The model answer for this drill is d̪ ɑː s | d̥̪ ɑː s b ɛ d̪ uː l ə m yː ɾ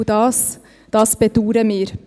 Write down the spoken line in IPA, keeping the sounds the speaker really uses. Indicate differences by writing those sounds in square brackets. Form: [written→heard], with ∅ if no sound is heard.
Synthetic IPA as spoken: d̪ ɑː s | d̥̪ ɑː s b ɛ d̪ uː [l→ɾ] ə m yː ɾ